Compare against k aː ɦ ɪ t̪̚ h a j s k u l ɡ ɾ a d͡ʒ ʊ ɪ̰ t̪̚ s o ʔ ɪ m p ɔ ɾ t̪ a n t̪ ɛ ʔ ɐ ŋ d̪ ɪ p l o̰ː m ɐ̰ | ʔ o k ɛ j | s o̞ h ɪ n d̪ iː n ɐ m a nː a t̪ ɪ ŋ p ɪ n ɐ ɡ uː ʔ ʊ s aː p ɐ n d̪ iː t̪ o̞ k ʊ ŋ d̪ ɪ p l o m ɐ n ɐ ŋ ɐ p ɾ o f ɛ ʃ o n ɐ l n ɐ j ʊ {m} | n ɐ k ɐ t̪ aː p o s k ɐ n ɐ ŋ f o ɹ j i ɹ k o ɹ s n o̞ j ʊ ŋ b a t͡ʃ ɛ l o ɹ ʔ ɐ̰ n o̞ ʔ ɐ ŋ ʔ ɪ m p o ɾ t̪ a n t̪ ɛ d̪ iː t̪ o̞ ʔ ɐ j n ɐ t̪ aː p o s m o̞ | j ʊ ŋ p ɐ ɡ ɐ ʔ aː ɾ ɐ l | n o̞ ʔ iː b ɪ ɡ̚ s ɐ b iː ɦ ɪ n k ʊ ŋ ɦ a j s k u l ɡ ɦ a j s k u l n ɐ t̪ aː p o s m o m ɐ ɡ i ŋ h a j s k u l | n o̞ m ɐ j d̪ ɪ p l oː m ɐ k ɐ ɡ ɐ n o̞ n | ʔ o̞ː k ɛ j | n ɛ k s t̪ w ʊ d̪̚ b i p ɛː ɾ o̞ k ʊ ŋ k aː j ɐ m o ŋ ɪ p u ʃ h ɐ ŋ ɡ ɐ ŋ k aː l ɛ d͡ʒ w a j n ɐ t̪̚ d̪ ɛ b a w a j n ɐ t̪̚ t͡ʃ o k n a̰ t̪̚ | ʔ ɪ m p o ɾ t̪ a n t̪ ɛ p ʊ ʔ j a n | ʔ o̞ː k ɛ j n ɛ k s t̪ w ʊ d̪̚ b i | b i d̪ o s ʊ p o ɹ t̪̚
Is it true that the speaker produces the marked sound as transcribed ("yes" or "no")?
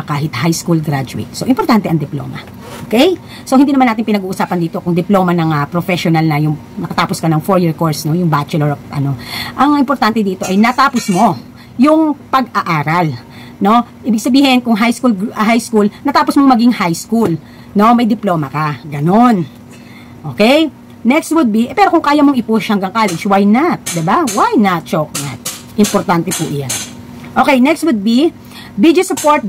no